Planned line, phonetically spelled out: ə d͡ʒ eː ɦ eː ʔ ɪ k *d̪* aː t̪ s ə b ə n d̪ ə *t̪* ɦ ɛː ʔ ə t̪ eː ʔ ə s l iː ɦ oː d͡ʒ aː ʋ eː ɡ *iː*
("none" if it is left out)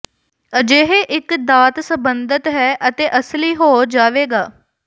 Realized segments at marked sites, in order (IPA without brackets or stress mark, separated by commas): d̪, t̪, aː